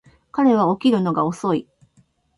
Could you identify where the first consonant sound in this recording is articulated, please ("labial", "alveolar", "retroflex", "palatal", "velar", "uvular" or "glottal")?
velar